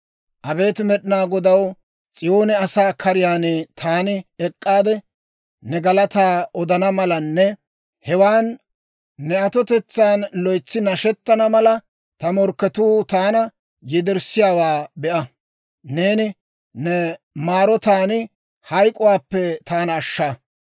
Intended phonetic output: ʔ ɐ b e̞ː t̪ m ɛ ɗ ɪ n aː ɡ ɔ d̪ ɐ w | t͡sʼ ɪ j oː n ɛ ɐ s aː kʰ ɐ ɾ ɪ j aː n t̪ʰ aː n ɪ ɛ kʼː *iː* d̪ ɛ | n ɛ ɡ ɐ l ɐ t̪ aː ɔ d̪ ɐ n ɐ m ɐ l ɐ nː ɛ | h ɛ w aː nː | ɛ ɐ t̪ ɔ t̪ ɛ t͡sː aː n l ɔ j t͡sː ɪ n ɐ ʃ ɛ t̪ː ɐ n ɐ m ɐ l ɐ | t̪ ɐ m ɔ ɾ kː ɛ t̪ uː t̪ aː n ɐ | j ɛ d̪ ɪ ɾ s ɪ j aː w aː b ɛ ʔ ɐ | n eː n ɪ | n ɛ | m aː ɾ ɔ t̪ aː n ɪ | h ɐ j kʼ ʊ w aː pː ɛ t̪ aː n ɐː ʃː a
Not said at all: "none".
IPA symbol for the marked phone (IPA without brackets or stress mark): aː